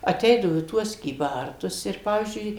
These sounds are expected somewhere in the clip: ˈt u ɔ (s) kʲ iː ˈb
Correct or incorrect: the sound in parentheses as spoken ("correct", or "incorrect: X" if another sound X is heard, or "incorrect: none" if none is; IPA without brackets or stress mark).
correct